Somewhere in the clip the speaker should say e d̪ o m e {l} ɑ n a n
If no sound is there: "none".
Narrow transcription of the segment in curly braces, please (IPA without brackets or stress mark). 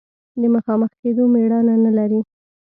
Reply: ɽ